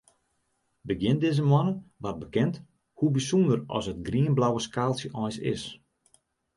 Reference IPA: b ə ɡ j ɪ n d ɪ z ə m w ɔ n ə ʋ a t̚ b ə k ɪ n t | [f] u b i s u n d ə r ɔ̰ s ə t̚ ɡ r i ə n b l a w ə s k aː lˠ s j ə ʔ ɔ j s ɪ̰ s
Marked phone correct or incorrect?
incorrect